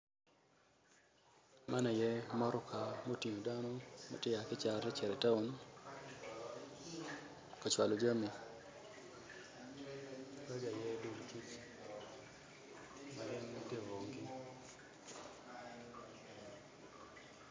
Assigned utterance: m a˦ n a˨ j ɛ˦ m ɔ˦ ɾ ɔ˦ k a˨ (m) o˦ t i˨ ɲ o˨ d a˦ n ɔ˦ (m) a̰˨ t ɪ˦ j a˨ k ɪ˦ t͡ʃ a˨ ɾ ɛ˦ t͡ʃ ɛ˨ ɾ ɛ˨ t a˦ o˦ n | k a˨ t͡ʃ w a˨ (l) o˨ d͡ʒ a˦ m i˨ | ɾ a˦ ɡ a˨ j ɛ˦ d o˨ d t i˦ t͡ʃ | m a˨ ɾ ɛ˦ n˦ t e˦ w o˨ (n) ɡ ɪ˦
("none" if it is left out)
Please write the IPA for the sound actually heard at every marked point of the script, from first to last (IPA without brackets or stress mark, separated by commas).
m, m, l, ŋ